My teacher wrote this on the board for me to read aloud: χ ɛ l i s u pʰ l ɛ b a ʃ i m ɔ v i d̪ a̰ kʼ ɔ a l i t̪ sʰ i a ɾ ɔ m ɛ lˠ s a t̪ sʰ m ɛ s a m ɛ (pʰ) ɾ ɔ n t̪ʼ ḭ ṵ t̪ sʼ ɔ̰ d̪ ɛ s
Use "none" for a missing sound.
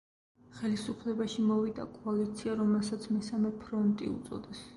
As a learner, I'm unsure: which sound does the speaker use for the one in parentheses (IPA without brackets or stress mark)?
pʰ